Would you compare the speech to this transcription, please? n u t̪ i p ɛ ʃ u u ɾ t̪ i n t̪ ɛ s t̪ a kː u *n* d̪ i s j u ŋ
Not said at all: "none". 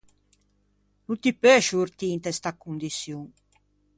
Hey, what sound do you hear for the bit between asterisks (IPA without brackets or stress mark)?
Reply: n